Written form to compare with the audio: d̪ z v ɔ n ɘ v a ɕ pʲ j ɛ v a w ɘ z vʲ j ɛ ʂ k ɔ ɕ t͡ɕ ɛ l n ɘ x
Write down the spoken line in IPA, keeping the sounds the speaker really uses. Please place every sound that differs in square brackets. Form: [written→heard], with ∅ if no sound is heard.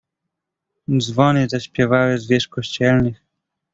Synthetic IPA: d̪ z v ɔ n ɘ [v→z] a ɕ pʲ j ɛ v a w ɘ z vʲ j ɛ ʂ k ɔ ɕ t͡ɕ ɛ l n ɘ x